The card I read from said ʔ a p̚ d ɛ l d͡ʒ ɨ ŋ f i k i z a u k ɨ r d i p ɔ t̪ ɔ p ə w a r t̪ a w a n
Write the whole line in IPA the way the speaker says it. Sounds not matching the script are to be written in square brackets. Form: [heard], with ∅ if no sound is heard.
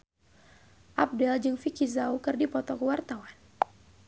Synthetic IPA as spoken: ʔ a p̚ d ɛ l d͡ʒ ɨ ŋ f i k i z a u k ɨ r d i p ɔ t̪ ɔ [k] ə w a r t̪ a w a n